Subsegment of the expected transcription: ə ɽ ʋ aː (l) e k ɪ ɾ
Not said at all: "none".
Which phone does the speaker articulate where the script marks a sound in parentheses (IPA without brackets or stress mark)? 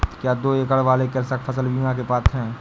l